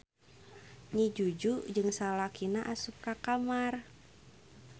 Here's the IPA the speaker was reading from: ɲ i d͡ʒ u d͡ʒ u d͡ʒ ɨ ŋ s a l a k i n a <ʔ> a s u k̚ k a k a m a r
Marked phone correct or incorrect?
correct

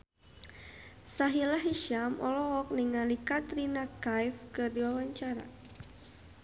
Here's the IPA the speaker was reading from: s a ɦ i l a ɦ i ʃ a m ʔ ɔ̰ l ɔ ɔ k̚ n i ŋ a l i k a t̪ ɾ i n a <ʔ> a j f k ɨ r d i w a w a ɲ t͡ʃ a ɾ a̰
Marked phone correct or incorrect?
incorrect: k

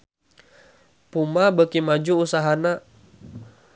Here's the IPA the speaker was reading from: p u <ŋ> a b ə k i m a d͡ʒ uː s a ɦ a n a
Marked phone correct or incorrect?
incorrect: m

